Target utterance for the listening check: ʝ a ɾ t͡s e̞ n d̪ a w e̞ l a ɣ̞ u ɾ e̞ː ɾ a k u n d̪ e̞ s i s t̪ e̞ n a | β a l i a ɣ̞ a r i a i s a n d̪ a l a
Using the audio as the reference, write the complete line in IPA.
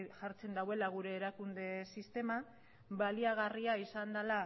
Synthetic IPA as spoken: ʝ a ɾ t͡s e̞ n d̪ a w e̞ l a ɣ̞ u ɾ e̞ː ɾ a k u n d̪ e̞ s i s t̪ e̞ m a | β a l i a ɣ̞ a r i a i s a n d̪ a l a